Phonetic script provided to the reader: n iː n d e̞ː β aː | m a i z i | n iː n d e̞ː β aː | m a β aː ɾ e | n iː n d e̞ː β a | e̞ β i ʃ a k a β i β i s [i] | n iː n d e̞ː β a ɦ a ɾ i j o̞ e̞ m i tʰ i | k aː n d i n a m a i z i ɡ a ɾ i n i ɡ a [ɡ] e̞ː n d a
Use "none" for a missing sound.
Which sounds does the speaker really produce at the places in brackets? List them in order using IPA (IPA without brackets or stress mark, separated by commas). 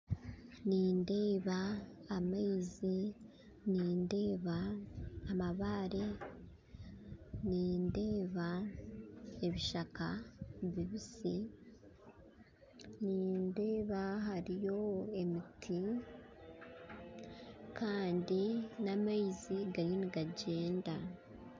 i, ɟ